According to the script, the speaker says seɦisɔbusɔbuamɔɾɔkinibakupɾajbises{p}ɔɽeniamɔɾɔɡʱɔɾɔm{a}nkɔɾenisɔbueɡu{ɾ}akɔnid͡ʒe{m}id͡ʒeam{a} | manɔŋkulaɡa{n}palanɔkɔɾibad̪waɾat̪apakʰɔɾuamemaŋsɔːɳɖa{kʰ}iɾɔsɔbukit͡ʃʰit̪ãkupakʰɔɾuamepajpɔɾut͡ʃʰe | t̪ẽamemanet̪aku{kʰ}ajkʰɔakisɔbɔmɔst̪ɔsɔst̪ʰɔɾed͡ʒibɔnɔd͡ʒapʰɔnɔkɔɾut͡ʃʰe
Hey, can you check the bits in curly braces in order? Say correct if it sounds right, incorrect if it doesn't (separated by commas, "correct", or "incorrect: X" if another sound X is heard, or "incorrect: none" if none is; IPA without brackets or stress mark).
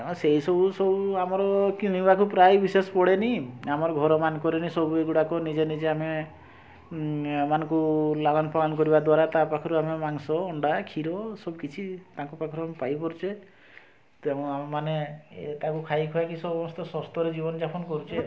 correct, correct, incorrect: ɽ, incorrect: n, incorrect: e, correct, correct, correct